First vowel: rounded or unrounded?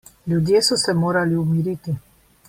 rounded